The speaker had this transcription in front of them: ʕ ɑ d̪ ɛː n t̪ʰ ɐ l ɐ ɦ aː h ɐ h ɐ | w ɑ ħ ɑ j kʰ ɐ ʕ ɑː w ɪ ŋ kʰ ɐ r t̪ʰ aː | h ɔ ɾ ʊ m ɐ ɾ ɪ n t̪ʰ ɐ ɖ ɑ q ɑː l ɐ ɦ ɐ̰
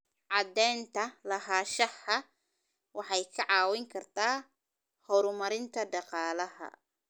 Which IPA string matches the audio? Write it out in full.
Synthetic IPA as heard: ʕ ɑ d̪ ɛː n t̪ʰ ɐ l ɐ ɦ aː ʃ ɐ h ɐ | w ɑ ħ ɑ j kʰ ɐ ʕ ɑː w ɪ ŋ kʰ ɐ r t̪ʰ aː | h ɔ ɾ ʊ m ɐ ɾ ɪ n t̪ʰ ɐ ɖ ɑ q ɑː l ɐ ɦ ɐ̰

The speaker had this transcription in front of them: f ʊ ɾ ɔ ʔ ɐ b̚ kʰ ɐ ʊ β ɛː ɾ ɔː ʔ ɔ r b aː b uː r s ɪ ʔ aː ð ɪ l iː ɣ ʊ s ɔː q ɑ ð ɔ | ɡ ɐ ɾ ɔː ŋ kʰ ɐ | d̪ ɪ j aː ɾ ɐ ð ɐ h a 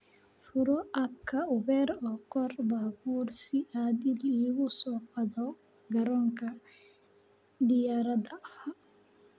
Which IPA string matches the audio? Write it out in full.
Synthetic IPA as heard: f ʊ ɾ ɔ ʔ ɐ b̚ kʰ ɐ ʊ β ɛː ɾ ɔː q ɔ r b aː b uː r s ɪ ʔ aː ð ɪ l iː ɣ ʊ s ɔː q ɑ ð ɔ | ɡ ɐ ɾ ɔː ŋ kʰ ɐ | d̪ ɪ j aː ɾ ɐ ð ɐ h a

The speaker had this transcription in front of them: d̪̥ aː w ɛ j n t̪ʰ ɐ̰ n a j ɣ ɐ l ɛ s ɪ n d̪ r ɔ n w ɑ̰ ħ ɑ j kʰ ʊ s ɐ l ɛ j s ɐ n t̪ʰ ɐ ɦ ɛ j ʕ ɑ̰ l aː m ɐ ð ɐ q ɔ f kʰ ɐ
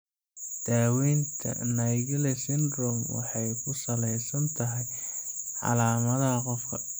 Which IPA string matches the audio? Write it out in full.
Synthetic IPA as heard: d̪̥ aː w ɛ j n t̪ʰ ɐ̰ n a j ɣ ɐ l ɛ s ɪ n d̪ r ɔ m w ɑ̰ ħ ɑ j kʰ ʊ s ɐ l ɛ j s ɐ n t̪ʰ ɐ ɦ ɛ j ʕ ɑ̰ l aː m ɐ ð ɐ q ɔ f kʰ ɐ

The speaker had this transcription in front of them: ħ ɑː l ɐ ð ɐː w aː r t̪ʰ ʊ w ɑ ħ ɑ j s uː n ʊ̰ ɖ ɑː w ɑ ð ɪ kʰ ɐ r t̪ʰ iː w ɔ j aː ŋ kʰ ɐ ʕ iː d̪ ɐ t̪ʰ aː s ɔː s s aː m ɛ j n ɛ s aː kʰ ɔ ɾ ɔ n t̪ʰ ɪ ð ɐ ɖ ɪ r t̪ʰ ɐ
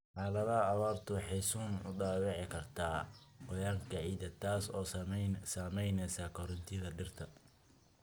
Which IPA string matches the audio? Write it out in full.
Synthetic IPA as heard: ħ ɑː l ɐ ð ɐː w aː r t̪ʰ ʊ w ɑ ħ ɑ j s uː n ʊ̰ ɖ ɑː w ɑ ʕ ɪ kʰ ɐ r t̪ʰ aː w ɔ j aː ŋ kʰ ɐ ʕ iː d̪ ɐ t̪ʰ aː s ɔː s s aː m ɛ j n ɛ s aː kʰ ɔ ɾ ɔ n t̪ʰ ɪ ð ɐ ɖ ɪ r t̪ʰ ɐ

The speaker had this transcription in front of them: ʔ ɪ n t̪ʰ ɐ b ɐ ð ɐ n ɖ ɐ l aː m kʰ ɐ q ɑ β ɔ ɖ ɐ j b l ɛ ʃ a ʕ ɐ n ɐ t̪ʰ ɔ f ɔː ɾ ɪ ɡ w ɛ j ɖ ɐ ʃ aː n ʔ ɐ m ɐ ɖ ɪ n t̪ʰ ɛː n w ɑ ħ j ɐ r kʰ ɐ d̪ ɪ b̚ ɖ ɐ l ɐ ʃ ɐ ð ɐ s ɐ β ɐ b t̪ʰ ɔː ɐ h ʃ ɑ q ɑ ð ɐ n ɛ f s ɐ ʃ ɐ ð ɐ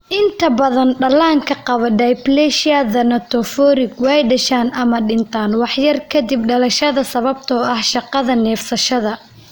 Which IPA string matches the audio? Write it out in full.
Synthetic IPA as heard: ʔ ɪ n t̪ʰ ɐ b ɐ ð ɐ n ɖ ɐ l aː ŋ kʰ ɐ q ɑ β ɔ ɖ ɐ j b l ɛ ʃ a ð ɐ n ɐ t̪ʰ ɔ f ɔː ɾ ɪ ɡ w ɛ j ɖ ɐ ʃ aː n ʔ ɐ m ɐ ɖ ɪ n t̪ʰ aː n w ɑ ħ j ɐ r kʰ ɐ d̪ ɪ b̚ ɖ ɐ l ɐ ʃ ɐ ð ɐ s ɐ β ɐ b t̪ʰ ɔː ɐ h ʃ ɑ q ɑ ð ɐ n ɛː f s ɐ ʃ ɐ ð ɐ

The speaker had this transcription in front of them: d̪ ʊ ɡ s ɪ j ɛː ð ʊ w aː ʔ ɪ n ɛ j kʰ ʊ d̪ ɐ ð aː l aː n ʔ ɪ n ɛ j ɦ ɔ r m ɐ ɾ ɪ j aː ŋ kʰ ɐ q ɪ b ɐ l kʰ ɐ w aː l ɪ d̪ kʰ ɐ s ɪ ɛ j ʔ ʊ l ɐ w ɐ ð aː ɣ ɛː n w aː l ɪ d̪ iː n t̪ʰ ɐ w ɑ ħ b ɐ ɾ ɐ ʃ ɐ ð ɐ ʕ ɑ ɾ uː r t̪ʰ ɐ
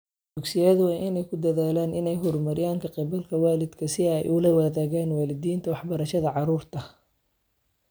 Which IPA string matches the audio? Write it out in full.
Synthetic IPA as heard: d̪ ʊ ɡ s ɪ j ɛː ð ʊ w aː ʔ ɪ n ɛ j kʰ ʊ d̪ ɐ ð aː l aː n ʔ ɪ n ɛ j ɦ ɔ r m ɐ ɾ ɪ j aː ŋ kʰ ɐ q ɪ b ɐ l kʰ ɐ w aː l ɪ d̪ kʰ ɐ s ɪ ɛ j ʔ ʊ l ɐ w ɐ ð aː ɣ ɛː n w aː l ɪ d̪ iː n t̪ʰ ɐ w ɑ ħ b ɐ ɾ ɐ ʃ ɐ ð ɐ ʕ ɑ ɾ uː r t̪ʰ ɐ

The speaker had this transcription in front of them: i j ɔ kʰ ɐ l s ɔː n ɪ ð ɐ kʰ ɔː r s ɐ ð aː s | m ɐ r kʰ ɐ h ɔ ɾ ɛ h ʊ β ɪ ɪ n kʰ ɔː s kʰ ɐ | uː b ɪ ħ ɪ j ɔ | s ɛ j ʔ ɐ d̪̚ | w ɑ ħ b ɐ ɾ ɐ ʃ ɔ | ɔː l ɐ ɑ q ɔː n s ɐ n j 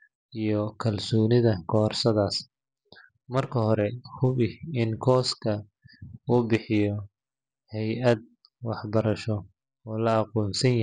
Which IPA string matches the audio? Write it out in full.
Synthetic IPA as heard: i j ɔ kʰ ɐ l s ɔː n ɪ ð ɐ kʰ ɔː r s ɐ ð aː s | m ɐ r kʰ ɐ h ɔ ɾ ɛ h ʊ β ɪ ɪ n kʰ ɔː s kʰ ɐ | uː b ɪ ħ ɪ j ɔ | h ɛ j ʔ ɐ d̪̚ | w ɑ ħ b ɐ ɾ ɐ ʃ ɔ | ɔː l ɐ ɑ q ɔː n s ɐ n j

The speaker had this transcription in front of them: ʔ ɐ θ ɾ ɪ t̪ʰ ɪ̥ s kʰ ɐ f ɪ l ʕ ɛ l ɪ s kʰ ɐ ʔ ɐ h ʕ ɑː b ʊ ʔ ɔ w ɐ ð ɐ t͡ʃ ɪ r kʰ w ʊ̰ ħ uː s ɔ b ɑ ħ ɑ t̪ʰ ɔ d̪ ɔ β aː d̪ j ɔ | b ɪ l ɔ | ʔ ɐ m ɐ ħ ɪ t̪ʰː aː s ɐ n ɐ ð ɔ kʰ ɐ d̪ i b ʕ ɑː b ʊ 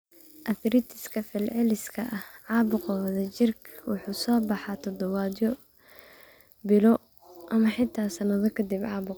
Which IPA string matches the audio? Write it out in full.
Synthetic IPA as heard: ʔ ɐ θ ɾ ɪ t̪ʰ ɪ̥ s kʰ ɐ f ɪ l ʕ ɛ l ɪ s kʰ ɐ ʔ ɐ h ʕ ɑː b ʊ q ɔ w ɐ ð ɐ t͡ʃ ɪ r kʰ w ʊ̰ ħ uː s ɔː b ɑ ħ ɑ t̪ʰ ɔ d̪ ɔ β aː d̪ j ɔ | b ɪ l ɔ | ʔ ɐ m ɐ ħ ɪ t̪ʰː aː s ɐ n ɐ ð ɔ kʰ ɐ d̪ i b ʕ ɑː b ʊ

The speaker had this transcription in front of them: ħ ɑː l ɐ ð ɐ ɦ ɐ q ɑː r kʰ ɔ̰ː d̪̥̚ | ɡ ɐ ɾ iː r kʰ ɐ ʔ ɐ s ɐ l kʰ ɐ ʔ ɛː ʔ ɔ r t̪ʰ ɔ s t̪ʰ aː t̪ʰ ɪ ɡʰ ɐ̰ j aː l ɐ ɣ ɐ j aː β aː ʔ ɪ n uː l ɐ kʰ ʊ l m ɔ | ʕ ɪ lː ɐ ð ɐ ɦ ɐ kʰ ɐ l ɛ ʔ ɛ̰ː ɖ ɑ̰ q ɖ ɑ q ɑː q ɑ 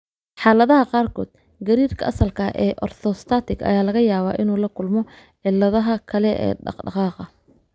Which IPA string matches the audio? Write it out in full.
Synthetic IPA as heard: ħ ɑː l ɐ ð ɐ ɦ ɐ q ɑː r kʰ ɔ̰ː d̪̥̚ | ɡ ɐ ɾ iː r kʰ ɐ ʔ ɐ s ɐ l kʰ ɐ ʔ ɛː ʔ ɔ r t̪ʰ ɔ s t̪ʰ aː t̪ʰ ɪ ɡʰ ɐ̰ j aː l ɐ ɣ ɐ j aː β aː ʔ ɪ n uː l ɐ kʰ ʊ l m ɔ | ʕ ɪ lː ɐ ð ɐ ɦ ɐ kʰ ɐ l ɛ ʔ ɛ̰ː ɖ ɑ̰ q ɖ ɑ q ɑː q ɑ

